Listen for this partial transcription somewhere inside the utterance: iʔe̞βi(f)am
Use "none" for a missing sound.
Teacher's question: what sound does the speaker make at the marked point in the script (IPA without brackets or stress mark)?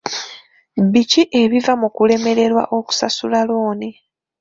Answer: v